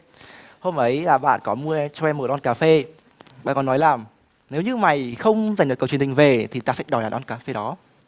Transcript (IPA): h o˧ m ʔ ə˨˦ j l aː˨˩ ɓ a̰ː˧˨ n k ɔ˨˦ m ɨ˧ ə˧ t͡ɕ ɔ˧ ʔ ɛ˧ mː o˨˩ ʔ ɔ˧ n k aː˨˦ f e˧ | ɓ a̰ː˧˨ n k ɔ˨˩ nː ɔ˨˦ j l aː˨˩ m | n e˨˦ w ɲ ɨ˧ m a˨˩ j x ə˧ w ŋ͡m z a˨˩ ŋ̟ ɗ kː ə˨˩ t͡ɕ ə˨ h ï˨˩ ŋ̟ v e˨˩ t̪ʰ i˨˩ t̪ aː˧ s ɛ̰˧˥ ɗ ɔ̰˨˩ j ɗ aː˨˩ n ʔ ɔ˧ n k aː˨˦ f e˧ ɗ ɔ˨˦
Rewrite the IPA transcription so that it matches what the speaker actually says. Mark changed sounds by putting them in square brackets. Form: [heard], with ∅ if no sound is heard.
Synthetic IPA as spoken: h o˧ m ʔ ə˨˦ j l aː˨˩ ɓ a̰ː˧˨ n k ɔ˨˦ m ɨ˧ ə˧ t͡ɕ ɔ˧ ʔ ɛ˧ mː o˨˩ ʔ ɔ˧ n k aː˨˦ f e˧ | ɓ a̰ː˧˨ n k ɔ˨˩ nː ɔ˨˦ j l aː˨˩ m | n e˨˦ w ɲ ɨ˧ m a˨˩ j x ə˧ w ŋ͡m z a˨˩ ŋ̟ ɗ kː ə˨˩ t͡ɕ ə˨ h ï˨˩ ŋ̟ v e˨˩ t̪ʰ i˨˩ t̪ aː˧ s ɛ̰˧˥ ɗ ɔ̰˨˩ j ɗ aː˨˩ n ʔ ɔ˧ n k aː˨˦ f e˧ ɗ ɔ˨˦